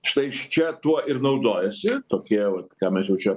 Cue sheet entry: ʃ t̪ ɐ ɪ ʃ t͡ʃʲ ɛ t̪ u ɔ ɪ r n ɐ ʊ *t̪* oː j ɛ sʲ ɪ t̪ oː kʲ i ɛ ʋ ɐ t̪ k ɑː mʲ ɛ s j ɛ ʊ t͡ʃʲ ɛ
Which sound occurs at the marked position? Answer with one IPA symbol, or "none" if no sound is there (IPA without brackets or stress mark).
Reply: d̪